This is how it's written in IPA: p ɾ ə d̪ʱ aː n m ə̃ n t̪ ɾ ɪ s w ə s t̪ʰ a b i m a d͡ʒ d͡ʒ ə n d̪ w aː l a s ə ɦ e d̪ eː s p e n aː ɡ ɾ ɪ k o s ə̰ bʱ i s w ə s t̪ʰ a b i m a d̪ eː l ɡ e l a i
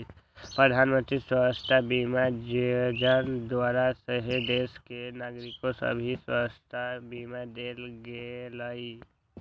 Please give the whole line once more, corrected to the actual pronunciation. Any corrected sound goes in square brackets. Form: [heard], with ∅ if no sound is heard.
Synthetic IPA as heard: p ɾ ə d̪ʱ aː n m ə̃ n t̪ ɾ [i] s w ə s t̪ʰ a b i m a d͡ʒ d͡ʒ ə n d̪ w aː [ɾ] a s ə ɦ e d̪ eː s [k] e n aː ɡ ɾ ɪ k o s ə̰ bʱ i s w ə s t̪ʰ a b i m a d̪ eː l ɡ e l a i